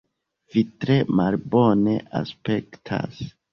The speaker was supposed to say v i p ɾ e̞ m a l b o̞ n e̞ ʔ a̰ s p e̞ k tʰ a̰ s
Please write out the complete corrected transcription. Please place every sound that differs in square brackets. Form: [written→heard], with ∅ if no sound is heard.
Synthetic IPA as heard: v i [p→t] ɾ e̞ m a l b o̞ n e̞ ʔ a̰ s p e̞ k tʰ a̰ s